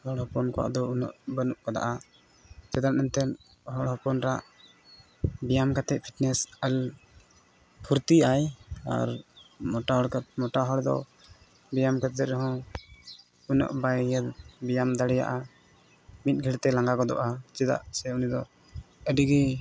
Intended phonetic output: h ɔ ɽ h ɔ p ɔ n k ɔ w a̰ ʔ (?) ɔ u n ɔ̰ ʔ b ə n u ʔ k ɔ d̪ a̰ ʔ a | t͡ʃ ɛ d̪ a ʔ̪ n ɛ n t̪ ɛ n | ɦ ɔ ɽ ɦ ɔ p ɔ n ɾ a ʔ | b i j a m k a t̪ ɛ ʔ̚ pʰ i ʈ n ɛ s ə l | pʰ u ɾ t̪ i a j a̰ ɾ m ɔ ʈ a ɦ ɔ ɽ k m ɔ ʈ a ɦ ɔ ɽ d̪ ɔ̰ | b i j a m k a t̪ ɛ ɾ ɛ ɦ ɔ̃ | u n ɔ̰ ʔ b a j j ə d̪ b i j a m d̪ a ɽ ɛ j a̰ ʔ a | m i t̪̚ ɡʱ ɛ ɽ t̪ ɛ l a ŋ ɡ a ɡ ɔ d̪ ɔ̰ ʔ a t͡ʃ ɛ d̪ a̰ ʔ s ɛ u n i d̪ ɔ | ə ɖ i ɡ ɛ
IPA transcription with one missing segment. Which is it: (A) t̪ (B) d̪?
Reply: B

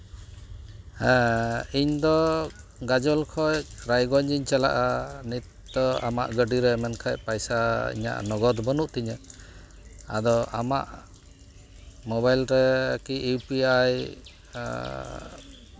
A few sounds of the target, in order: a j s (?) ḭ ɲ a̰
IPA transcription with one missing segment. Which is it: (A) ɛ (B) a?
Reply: B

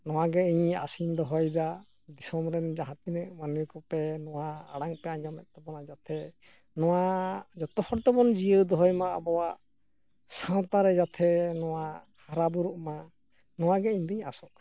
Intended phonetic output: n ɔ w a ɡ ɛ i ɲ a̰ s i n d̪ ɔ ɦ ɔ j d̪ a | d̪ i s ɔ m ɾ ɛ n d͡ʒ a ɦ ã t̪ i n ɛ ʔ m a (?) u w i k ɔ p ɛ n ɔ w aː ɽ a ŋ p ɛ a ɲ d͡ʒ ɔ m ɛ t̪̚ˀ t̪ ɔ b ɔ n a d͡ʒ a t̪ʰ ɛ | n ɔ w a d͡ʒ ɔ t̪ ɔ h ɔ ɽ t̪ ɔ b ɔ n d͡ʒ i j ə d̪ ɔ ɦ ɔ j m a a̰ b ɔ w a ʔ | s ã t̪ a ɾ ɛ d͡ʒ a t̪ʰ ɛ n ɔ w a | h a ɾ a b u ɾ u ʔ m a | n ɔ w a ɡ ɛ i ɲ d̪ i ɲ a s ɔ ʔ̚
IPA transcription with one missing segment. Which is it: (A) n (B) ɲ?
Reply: A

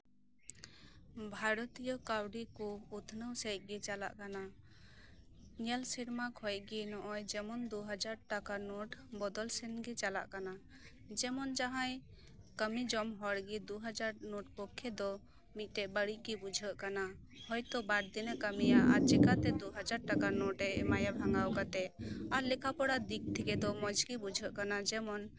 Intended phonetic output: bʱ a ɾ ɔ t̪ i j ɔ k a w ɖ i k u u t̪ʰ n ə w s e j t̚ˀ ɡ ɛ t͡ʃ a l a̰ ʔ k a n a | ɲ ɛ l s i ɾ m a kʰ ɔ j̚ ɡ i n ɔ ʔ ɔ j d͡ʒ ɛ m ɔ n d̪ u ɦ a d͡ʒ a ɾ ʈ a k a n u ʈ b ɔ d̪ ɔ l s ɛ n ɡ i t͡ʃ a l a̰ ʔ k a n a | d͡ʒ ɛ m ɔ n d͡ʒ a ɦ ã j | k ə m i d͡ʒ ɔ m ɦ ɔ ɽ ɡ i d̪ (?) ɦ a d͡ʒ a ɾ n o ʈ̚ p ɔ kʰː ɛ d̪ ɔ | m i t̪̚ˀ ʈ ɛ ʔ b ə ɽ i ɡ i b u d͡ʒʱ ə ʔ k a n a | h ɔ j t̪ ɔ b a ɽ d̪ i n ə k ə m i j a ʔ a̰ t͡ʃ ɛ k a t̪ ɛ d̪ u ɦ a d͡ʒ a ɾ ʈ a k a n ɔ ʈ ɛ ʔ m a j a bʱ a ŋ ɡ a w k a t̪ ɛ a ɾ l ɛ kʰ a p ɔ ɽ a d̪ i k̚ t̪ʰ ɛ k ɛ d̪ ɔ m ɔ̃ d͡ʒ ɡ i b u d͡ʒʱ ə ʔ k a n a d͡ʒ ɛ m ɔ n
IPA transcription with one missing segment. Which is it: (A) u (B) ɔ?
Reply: A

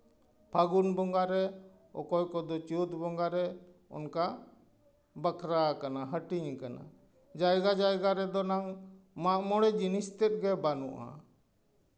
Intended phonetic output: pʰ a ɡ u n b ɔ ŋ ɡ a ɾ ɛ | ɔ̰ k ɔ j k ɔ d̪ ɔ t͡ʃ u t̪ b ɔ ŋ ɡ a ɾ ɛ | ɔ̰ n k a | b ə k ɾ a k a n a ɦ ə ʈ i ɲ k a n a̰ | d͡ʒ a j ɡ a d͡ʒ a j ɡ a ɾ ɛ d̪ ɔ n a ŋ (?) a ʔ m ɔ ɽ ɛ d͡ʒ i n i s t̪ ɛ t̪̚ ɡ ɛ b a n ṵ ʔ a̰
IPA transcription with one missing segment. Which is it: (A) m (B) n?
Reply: A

